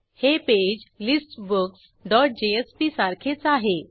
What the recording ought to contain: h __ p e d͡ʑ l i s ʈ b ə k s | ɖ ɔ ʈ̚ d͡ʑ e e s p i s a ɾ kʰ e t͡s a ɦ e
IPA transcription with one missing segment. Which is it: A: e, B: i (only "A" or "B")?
A